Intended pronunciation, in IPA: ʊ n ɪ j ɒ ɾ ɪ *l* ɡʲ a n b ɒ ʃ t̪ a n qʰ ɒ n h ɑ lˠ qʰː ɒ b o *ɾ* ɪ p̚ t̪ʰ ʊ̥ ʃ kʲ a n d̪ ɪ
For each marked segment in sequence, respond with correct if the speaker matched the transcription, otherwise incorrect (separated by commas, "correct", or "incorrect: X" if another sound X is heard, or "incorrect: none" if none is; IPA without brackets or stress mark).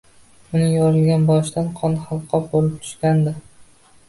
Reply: correct, incorrect: l